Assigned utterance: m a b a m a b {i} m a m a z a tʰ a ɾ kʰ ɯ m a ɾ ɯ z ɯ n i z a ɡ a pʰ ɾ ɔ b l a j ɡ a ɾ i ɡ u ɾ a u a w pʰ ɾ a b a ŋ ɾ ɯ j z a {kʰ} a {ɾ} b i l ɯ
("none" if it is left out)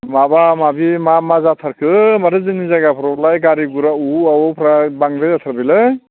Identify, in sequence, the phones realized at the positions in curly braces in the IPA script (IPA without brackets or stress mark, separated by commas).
i, tʰ, ɾ